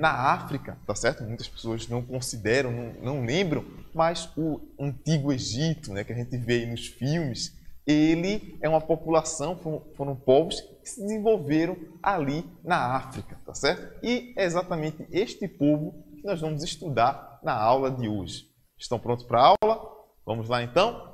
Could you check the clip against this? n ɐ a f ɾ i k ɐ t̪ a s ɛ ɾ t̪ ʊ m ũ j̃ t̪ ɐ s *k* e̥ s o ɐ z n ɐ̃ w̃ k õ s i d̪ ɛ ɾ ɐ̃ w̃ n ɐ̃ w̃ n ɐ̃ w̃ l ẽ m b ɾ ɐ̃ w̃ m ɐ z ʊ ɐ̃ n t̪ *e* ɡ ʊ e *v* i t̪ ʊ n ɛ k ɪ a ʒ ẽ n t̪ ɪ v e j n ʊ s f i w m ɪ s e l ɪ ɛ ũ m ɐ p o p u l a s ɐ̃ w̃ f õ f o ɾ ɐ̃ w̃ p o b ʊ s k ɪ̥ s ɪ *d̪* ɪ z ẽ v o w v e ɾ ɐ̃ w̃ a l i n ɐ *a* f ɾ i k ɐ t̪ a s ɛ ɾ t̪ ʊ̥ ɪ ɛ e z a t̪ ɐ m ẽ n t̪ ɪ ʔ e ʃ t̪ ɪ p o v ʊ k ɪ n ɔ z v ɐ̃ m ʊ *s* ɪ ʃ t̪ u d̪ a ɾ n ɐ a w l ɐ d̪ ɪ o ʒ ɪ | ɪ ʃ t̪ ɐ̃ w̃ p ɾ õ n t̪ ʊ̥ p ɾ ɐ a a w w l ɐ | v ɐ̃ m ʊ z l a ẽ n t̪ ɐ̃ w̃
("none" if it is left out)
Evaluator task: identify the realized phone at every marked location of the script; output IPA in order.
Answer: p, i, ʒ, d̪, a, z

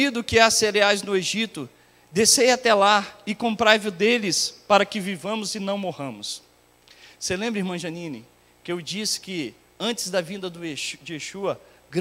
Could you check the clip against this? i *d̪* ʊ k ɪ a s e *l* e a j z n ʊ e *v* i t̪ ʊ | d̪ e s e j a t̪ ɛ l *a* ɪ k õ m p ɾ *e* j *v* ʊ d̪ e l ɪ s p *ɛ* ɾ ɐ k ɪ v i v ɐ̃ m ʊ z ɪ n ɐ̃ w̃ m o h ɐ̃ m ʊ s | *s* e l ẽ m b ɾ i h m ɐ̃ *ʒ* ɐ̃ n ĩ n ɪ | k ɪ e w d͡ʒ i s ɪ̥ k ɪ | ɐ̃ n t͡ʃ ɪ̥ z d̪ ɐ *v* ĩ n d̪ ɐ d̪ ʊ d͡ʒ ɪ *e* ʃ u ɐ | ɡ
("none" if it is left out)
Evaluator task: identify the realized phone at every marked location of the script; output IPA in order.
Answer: d̪, ɾ, ʒ, a, a, v, a, s, ʒ, v, e

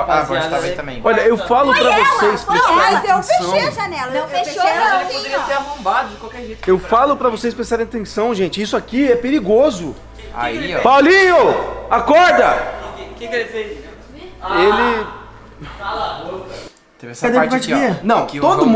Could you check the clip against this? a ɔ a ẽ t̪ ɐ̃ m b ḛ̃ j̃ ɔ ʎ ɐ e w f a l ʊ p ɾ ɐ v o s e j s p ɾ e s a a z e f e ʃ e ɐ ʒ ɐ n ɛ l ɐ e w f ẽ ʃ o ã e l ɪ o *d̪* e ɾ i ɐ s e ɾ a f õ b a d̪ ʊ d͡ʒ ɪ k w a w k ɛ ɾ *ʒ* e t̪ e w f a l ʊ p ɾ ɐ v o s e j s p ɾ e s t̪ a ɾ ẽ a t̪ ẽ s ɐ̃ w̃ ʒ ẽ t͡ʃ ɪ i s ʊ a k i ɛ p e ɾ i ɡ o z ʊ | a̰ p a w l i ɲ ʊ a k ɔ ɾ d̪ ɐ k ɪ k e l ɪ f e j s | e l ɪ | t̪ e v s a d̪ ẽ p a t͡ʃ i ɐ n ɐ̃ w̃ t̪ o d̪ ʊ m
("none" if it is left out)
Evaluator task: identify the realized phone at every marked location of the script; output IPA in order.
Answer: d̪, ʒ

